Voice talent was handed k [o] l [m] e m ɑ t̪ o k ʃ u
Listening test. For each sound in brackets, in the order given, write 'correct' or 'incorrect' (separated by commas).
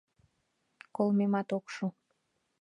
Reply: correct, correct